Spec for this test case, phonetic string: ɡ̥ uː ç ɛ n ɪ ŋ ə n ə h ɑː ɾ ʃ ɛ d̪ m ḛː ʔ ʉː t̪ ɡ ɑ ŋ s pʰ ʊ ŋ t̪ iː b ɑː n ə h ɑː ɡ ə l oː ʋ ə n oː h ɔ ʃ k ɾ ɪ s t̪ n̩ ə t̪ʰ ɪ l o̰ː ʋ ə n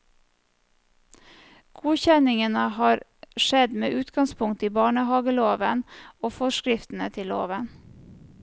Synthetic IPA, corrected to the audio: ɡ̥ uː ç ɛ n ɪ ŋ ə n ə h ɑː ɾ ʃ ɛ d̪ m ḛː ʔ ʉː t̪ ɡ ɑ ŋ s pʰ ʊ ŋ t̪ iː b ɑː ɳ ə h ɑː ɡ ə l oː ʋ ə n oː f ɔ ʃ k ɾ ɪ f t̪ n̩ ə t̪ʰ ɪ l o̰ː ʋ ə n

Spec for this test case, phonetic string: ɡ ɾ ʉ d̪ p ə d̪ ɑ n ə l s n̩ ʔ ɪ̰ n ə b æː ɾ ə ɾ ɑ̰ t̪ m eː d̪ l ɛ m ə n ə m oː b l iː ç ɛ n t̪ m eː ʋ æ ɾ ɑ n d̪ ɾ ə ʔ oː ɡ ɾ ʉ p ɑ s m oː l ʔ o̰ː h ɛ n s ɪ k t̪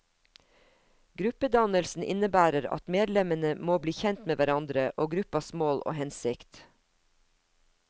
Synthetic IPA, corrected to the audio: ɡ ɾ ʉ p ə d̪ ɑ n ə l s n̩ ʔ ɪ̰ n ə b æː ɾ ə ɾ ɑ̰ t̪ m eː d̪ l ɛ m ə n ə m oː b l iː ç ɛ n t̪ m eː ʋ æ ɾ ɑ n d̪ ɾ ə ʔ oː ɡ ɾ ʉ p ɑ s m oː l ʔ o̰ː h ɛ n s ɪ k t̪

